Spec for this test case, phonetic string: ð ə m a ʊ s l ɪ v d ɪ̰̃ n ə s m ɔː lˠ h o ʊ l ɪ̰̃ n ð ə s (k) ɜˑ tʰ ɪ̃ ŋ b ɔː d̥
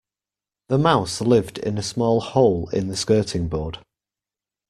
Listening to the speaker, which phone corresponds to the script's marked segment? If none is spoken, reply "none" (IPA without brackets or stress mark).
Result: k